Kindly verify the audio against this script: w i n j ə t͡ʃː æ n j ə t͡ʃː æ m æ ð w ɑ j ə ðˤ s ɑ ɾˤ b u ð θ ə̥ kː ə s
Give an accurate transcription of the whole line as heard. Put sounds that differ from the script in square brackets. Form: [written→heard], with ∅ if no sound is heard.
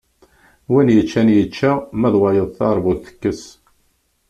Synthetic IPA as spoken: w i n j ə t͡ʃː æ n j ə t͡ʃː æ m æ ð w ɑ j ə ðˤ [s→θ] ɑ ɾˤ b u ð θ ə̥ kː ə s

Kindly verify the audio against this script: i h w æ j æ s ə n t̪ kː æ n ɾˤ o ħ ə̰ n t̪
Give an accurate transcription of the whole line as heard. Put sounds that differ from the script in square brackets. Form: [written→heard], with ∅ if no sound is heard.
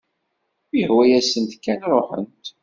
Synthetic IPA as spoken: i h w æ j æ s ə n t̪ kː æ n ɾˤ o ħ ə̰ n t̪

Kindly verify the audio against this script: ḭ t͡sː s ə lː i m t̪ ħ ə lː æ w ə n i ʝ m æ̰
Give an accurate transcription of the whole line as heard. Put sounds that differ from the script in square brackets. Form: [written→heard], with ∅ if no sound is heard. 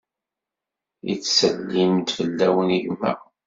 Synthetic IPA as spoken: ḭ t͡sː s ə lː i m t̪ [ħ→f] ə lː æ w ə n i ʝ m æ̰

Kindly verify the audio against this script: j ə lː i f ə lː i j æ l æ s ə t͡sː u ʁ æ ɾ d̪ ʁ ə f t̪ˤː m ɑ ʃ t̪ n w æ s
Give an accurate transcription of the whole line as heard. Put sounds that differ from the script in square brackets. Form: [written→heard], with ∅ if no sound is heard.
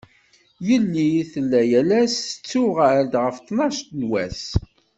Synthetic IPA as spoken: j ə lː i [f→θ] ə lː [i→æ] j æ l æ s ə t͡sː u ʁ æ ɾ d̪ ʁ ə f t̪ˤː [m→n] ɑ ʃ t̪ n w æ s

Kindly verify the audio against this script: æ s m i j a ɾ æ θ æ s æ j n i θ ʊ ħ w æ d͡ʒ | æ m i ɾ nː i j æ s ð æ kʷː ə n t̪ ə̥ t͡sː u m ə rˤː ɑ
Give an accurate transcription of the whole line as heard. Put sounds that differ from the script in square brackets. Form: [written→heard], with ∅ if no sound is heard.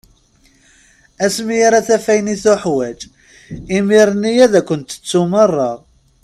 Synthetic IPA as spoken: æ s m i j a ɾ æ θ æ [s→f] æ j n i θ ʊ ħ w æ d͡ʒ | [æ→i] m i ɾ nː i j æ [s→∅] ð æ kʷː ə n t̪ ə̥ t͡sː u m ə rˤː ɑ

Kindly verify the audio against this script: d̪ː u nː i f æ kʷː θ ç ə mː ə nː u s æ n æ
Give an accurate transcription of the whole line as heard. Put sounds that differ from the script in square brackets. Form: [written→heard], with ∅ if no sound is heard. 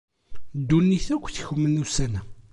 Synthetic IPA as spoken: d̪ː u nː i [f→θ] æ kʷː θ ç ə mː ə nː u s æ n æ

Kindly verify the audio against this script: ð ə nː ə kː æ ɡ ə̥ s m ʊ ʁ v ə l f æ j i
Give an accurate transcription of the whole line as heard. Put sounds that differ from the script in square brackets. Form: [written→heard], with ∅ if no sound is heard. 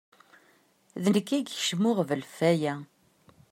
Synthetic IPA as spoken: ð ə [nː→n] ə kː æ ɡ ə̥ [s→ʃ] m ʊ ʁ v ə l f æ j [i→æ]

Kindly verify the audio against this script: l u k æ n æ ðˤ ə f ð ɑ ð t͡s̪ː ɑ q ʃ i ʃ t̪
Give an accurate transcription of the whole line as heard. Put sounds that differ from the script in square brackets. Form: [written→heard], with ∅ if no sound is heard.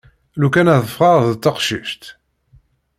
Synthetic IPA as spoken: l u k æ n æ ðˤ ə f [ð→ʁ] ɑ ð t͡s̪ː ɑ q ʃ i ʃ t̪

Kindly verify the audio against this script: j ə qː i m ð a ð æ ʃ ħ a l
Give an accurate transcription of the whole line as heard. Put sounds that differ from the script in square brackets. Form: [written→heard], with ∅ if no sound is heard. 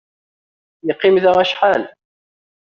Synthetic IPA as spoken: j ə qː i m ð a [ð→ʁ] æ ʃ ħ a l

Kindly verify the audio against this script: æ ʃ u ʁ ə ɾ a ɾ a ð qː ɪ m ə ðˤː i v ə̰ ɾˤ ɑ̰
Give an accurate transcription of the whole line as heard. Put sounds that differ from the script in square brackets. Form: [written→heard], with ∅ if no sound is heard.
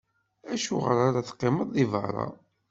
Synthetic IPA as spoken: æ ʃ u ʁ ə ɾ a ɾ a [ð→θ] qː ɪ m ə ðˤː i v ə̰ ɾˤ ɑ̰

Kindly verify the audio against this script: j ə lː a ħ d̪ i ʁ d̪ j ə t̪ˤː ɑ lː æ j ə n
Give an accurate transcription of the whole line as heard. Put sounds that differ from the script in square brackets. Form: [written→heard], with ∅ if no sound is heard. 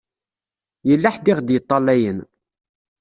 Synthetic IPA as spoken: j ə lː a ħ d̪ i ʁ d̪ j ə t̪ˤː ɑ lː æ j ə n

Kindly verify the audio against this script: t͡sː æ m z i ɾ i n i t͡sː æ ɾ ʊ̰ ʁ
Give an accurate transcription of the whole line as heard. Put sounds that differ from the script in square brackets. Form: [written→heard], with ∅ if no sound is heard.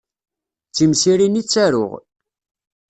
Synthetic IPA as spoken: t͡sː [æ→i] m [z→s] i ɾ i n i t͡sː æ ɾ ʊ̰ ʁ

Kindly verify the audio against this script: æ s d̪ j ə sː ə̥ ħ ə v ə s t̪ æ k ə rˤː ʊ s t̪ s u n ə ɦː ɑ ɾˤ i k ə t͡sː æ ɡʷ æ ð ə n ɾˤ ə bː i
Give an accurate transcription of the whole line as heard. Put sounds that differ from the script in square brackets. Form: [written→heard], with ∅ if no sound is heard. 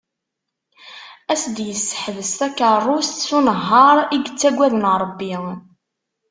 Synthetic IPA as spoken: æ s d̪ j ə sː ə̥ ħ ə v ə s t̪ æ k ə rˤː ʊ s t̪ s u n ə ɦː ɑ ɾˤ i [k→ɡ] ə t͡sː æ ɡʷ æ ð ə n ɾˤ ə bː i

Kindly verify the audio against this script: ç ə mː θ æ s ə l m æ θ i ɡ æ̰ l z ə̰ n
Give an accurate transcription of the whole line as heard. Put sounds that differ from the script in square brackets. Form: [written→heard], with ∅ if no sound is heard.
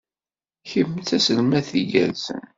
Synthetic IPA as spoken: ç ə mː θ æ s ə l m æ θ i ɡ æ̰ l [z→s] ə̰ n

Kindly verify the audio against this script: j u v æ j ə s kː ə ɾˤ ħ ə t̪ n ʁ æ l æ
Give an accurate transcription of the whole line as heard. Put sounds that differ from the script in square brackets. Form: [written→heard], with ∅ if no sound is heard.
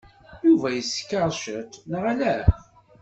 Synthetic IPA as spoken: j u v æ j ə s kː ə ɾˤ [ħ→ʃ] ə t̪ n ʁ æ l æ

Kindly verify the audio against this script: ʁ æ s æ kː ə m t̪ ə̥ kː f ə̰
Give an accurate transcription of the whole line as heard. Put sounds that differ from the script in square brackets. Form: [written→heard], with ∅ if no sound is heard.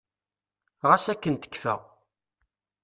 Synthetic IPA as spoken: ʁ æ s æ kː ə [m→n] t̪ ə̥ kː f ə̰

